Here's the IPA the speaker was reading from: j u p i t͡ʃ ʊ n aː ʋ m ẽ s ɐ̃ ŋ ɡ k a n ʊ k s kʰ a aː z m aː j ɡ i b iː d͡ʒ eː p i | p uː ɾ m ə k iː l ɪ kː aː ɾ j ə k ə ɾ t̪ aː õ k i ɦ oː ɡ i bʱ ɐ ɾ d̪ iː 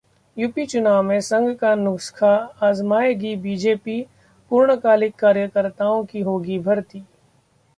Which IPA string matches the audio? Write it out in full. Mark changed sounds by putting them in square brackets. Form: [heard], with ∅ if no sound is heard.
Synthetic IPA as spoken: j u p i t͡ʃ ʊ n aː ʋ m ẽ s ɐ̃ ŋ ɡ k a n ʊ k s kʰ a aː z m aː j ɡ i b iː d͡ʒ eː p i | p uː ɾ [ɳ] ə k [aː] l ɪ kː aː ɾ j ə k ə ɾ t̪ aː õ k i ɦ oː ɡ i bʱ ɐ ɾ [t̪] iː